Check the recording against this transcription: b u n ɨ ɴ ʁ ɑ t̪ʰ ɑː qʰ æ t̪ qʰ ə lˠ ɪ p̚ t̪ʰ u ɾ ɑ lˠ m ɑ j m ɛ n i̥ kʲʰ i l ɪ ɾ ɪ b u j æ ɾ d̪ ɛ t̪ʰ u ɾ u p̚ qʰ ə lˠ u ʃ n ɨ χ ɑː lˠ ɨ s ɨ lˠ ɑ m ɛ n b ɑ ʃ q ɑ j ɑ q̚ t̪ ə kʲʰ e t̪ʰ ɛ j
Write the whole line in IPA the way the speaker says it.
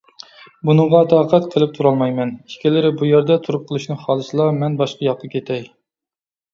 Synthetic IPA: b u n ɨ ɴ ʁ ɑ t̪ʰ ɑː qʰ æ t̪ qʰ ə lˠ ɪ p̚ t̪ʰ u ɾ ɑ lˠ m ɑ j m ɛ n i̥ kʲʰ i l ɪ ɾ ɪ b u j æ ɾ d̪ ɛ t̪ʰ u ɾ u p̚ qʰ ə lˠ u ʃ n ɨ χ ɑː lˠ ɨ s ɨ lˠ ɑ m ɛ n b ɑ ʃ q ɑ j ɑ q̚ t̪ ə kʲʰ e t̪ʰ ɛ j